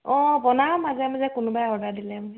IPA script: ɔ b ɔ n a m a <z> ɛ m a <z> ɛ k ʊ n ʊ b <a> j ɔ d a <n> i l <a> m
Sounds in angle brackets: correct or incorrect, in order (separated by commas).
correct, correct, correct, incorrect, incorrect